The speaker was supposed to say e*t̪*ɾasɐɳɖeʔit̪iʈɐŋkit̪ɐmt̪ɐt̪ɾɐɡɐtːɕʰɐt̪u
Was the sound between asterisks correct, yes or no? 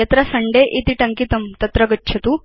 yes